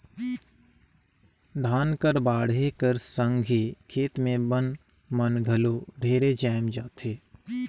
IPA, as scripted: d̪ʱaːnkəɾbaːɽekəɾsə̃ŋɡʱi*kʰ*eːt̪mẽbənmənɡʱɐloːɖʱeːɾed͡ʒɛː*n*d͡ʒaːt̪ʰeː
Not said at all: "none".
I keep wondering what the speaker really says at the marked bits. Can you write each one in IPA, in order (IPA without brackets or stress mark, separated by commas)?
kʰ, m